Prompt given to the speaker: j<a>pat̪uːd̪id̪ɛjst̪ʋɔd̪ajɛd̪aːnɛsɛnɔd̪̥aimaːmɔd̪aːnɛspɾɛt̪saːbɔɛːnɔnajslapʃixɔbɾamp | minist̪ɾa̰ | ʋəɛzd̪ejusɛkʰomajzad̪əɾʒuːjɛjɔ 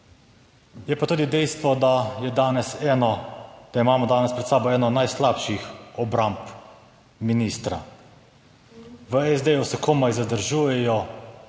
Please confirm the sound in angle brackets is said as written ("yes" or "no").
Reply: no